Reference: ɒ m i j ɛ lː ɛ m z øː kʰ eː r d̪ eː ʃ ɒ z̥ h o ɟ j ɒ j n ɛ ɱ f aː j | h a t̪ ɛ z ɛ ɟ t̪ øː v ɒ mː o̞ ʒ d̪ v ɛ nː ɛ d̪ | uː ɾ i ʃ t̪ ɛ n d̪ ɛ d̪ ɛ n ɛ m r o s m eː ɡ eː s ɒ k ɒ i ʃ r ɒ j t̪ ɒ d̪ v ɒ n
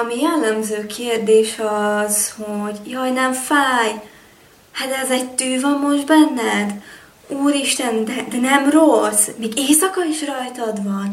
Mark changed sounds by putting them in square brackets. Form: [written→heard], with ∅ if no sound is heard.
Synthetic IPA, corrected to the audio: ɒ m i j ɛ lː ɛ m z øː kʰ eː r d̪ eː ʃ ɒ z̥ h o ɟ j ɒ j n ɛ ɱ f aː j | h a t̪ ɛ z ɛ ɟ t̪ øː v ɒ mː o̞ ʒ d̪ [v→b] ɛ nː ɛ d̪ | uː ɾ i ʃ t̪ ɛ n d̪ ɛ d̪ ɛ n ɛ m r o s m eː ɡ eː s ɒ k ɒ i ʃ r ɒ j t̪ ɒ d̪ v ɒ n